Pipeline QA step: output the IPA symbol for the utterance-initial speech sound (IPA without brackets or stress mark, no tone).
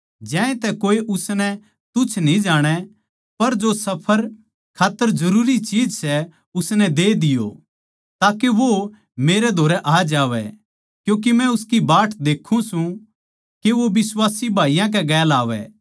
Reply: d͡ʒ